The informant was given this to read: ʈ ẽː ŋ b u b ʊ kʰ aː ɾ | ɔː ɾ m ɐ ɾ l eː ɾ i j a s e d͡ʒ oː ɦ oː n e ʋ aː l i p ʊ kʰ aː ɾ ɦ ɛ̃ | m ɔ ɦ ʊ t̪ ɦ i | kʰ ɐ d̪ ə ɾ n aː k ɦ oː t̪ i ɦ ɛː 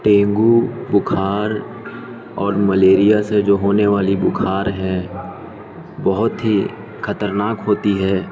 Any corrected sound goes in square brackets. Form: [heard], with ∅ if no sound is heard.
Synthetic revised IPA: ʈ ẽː ŋ [ɡ] u b ʊ kʰ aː ɾ | ɔː ɾ m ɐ [∅] l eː ɾ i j a s e d͡ʒ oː ɦ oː n e ʋ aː l i [b] ʊ kʰ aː ɾ ɦ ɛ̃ | [b] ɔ ɦ ʊ t̪ ɦ i | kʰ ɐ [t̪] ə ɾ n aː k ɦ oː t̪ i ɦ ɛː